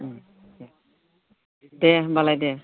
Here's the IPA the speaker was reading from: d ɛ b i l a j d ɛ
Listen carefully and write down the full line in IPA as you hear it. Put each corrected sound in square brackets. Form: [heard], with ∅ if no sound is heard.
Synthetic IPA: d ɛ b [a] l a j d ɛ